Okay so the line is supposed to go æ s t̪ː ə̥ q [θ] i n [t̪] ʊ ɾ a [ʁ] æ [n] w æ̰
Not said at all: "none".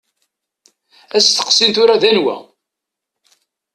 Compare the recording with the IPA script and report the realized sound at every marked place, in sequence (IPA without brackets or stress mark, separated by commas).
s, t̪, ð, n